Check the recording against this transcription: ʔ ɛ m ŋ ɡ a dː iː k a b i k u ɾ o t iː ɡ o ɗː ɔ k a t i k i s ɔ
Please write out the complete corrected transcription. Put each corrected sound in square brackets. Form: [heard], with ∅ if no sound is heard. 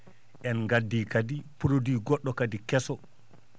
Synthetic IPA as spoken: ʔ ɛ [n] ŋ ɡ a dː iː k a [d] i [p] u ɾ o [d] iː ɡ [ɔ] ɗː ɔ k a [d] i k [ɛ] s ɔ